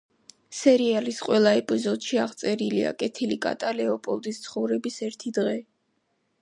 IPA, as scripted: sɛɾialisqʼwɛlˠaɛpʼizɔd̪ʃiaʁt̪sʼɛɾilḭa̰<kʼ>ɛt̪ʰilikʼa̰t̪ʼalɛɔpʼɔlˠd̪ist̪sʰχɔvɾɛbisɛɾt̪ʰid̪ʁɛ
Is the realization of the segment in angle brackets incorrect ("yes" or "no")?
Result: no